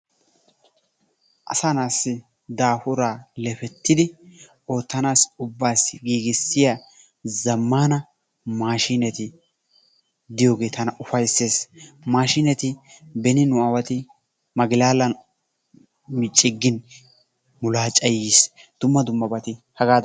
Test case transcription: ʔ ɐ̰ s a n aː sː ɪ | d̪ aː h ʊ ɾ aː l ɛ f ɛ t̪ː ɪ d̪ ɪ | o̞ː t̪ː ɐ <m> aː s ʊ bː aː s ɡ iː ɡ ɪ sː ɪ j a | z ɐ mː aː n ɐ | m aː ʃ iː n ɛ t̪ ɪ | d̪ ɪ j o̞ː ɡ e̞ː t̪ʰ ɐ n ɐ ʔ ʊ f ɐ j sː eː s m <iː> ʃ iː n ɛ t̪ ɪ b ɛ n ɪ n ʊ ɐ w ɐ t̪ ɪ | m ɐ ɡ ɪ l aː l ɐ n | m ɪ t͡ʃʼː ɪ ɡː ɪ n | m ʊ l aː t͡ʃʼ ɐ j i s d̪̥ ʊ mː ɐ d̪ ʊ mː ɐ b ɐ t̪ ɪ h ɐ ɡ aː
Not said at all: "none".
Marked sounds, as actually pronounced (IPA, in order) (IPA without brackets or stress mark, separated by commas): n, aː